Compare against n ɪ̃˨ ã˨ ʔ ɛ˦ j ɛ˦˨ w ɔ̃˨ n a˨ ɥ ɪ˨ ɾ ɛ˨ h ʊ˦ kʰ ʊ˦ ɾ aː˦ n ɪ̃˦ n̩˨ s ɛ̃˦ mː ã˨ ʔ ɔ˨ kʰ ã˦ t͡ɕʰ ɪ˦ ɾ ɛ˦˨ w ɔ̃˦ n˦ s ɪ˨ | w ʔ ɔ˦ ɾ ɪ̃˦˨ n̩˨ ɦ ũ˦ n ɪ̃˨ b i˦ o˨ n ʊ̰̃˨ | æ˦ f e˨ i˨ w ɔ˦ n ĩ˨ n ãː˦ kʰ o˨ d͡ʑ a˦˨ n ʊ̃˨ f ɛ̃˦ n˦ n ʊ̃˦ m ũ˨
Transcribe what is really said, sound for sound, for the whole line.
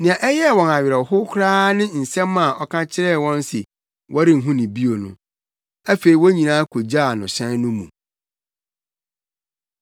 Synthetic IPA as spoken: n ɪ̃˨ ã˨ ʔ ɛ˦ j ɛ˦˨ w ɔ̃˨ n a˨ ɥ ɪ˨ ɾ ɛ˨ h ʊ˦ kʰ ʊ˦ ɾ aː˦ n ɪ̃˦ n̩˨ s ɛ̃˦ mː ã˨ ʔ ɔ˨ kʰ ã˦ t͡ɕʰ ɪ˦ ɾ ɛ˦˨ w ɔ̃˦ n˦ s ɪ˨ | w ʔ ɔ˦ ɾ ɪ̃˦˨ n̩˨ ɦ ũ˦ n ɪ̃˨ b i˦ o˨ n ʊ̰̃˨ | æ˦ f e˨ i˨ w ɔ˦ ɲ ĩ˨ n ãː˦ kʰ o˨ d͡ʑ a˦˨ n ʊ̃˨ ɕ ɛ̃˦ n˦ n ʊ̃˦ m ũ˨